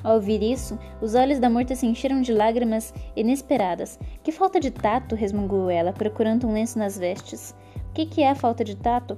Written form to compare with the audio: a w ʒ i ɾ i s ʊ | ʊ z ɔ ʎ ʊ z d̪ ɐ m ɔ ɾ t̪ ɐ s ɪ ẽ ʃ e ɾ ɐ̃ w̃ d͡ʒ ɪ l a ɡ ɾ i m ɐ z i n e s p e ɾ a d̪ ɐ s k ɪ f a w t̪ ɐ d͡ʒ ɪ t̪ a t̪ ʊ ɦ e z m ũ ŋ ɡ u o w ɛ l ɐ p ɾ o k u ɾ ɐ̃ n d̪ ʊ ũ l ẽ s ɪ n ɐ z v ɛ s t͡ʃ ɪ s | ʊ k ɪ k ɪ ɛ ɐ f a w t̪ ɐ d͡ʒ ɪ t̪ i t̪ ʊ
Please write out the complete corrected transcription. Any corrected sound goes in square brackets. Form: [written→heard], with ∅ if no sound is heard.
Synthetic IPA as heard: a w [ʒ→v] i ɾ i s ʊ | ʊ z ɔ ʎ ʊ z d̪ ɐ m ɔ ɾ t̪ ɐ s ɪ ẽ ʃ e ɾ ɐ̃ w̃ d͡ʒ ɪ l a ɡ ɾ i m ɐ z i n e s p e ɾ a d̪ ɐ s k ɪ f a w t̪ ɐ d͡ʒ ɪ t̪ a t̪ ʊ ɦ e z m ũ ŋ ɡ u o w ɛ l ɐ p ɾ o k u ɾ ɐ̃ n d̪ ʊ ũ l ẽ s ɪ n ɐ z v ɛ s t͡ʃ ɪ s | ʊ k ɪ k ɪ ɛ ɐ f a w t̪ ɐ d͡ʒ ɪ t̪ [i→a] t̪ ʊ